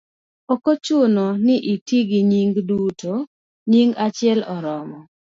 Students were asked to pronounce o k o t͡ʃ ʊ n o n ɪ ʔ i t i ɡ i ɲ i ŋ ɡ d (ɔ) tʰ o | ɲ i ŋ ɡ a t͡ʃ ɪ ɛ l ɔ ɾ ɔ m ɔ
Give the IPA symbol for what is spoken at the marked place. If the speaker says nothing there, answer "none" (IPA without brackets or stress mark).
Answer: u